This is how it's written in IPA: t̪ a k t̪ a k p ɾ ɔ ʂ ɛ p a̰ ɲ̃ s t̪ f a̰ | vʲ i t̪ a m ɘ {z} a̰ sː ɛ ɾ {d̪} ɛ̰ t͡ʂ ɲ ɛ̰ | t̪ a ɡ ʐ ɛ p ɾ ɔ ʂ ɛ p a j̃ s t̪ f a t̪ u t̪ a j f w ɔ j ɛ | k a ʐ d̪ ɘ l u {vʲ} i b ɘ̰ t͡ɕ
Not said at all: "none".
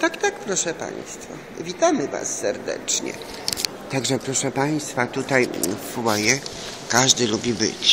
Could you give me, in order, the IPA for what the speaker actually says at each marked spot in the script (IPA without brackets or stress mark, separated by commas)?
v, d̪, bʲ